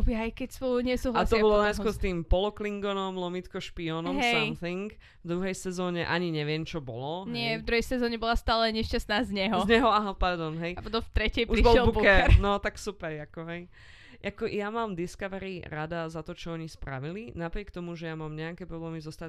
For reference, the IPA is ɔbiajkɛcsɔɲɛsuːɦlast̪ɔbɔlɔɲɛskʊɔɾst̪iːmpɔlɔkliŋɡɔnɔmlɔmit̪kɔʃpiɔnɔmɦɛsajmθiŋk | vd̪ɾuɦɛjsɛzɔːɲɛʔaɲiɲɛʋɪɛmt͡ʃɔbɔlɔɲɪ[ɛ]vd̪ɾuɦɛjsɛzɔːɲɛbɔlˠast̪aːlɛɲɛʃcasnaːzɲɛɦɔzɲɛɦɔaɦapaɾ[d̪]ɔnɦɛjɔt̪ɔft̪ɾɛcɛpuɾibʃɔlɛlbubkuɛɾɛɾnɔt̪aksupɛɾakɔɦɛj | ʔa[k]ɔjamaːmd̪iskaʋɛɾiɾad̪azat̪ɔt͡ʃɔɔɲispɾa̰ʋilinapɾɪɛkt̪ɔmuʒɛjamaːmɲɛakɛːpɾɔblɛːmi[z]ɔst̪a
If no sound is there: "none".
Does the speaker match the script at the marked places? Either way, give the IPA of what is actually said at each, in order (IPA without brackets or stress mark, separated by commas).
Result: ɛ, d̪, k, z